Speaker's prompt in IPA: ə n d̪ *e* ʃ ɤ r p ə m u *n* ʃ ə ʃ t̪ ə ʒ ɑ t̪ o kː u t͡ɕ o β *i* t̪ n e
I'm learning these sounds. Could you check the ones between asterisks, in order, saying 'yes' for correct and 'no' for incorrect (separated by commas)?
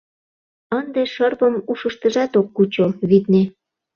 yes, no, yes